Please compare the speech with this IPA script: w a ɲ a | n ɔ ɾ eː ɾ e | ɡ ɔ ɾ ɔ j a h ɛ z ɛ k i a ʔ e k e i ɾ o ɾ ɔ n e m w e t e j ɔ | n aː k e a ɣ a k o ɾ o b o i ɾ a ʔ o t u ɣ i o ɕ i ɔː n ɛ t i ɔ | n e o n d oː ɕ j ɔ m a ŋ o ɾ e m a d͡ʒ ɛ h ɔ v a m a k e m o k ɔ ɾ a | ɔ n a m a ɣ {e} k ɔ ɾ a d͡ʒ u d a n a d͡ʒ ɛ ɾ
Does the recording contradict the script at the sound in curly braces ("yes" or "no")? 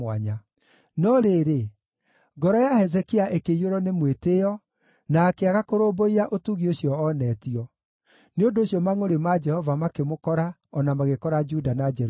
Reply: no